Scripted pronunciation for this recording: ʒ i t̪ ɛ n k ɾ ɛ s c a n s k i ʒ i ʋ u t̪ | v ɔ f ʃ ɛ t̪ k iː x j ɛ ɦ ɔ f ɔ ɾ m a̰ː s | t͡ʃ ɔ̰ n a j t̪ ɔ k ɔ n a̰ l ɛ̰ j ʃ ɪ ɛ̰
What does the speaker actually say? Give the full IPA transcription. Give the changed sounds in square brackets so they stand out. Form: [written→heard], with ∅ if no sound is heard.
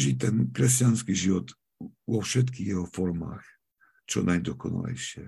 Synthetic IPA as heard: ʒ i t̪ ɛ n k ɾ ɛ s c a n s k i ʒ i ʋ [u→ɔ] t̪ | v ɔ f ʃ ɛ t̪ k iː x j ɛ ɦ ɔ f ɔ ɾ m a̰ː [s→x] | t͡ʃ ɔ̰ n a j [t̪→d̪] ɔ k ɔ n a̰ l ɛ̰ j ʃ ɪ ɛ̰